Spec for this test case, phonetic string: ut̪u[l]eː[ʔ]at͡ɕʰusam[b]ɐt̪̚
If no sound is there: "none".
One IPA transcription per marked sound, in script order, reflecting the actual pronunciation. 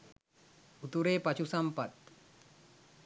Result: ɾ, p, p

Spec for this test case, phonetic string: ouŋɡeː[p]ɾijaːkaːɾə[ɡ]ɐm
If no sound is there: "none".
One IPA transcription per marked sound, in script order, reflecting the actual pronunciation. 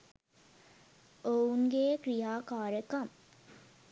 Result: k, k

